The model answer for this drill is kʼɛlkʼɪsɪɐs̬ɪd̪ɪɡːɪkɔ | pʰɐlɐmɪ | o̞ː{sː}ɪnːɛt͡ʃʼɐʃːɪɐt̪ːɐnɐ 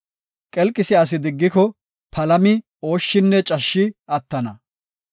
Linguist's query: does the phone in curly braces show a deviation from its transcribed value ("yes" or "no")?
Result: yes